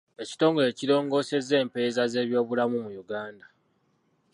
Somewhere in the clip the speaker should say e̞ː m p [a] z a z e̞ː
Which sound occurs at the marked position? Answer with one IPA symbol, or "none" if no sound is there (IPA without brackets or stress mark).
e